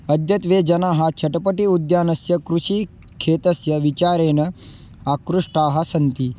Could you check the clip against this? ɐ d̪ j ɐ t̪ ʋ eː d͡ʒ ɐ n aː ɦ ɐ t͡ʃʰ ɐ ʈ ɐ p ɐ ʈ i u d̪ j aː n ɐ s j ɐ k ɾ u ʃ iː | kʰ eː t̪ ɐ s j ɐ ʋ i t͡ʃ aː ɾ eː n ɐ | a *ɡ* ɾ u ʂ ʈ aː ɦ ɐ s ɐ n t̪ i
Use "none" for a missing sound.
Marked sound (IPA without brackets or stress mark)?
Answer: k